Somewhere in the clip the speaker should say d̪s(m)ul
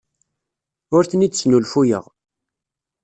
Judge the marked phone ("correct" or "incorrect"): incorrect